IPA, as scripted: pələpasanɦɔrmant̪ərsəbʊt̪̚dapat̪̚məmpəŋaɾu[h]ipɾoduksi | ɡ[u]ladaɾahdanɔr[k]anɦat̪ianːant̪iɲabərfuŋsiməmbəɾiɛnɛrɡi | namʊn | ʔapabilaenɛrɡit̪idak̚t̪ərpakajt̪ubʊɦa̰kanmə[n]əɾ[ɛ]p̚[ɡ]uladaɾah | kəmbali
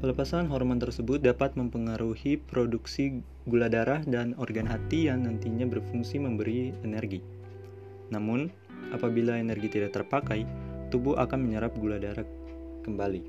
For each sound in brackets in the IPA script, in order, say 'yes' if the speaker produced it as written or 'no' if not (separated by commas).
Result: yes, yes, no, no, no, yes